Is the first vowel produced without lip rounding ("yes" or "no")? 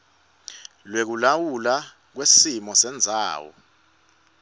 yes